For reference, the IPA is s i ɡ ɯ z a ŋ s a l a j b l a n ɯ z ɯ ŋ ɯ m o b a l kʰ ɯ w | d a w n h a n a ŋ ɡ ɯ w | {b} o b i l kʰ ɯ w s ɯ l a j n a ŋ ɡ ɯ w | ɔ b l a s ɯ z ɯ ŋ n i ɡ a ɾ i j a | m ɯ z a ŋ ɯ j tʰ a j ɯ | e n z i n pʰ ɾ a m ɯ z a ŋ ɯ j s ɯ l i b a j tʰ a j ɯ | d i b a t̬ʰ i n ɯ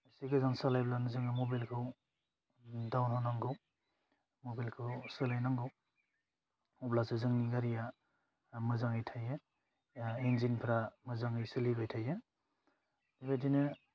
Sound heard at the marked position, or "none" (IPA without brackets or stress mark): m